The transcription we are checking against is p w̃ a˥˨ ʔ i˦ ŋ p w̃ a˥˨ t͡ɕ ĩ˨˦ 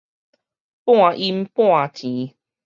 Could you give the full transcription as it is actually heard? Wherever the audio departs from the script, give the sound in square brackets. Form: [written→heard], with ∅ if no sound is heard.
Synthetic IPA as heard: p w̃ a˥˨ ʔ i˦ [ŋ→m] p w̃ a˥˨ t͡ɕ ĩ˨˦